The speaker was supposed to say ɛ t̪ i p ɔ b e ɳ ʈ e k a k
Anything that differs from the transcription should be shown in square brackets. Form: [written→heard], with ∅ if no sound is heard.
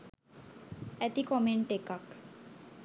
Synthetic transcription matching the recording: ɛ t̪ i [p→k] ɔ [b→m] e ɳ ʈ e k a k